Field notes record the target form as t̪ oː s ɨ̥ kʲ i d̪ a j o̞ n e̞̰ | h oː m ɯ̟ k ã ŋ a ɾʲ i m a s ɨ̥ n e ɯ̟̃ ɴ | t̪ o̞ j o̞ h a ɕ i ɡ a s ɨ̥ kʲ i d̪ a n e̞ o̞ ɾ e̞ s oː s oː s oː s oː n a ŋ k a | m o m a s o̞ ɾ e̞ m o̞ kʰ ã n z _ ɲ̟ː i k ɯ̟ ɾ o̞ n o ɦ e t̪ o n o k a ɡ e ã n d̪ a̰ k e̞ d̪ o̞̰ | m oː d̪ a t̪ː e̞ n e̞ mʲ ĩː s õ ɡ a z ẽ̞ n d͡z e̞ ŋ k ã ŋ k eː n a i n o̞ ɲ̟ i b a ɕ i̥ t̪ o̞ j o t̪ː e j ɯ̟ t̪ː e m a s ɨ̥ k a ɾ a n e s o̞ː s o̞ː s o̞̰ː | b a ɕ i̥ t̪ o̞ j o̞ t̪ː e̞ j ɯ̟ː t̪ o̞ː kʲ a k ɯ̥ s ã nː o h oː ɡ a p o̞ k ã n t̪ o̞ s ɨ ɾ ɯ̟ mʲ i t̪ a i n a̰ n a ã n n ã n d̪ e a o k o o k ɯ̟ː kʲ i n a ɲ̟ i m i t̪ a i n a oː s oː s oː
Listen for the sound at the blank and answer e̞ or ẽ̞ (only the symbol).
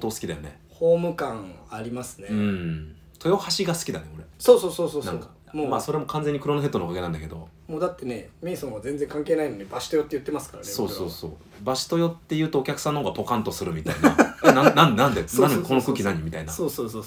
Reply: e̞